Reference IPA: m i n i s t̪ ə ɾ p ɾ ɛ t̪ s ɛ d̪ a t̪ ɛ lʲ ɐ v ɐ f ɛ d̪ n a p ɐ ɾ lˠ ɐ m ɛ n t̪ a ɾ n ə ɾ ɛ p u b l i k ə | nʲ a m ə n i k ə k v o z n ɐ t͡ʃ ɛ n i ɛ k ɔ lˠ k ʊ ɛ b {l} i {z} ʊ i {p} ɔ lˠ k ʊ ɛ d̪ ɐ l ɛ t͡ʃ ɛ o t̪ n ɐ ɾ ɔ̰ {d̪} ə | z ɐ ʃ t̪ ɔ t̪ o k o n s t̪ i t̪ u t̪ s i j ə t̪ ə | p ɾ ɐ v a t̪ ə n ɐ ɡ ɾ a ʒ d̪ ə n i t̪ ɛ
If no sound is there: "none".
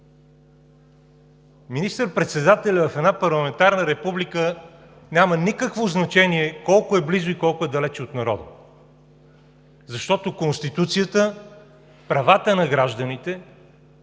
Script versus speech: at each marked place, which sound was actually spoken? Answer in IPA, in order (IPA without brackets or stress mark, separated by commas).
l, z, k, d̪